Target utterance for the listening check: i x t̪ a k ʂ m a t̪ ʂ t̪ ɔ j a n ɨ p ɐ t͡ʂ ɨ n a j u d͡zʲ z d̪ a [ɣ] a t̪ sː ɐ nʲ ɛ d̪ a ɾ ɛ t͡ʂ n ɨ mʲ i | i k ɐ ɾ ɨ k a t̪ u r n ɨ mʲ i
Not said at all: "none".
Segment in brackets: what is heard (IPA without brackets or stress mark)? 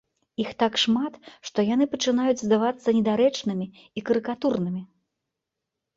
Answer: v